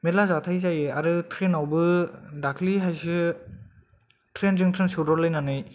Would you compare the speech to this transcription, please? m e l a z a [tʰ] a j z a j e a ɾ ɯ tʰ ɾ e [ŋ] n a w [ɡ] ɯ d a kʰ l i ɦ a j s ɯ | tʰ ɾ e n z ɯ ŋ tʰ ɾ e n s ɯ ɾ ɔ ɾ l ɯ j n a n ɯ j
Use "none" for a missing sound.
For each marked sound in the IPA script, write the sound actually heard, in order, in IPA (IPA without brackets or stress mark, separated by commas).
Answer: tʰ, none, b